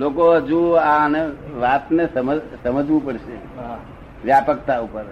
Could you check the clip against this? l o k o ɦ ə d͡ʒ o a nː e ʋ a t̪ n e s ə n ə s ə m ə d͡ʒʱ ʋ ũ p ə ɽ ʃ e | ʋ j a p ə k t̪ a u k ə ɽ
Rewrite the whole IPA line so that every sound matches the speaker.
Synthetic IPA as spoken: l o k o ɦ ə d͡ʒ u a n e ʋ a t̪ n e s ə m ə s ə m ə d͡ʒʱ ʋ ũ p ə ɽ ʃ e | ʋ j a p ə k t̪ a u p ə ɾ